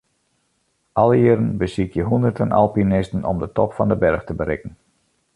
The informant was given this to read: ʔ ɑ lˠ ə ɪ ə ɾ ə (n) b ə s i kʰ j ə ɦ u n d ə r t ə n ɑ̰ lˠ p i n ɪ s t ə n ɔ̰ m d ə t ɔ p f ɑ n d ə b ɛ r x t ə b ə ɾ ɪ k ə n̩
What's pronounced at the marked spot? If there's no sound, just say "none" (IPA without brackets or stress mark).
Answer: n